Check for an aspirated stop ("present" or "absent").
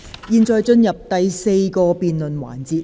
absent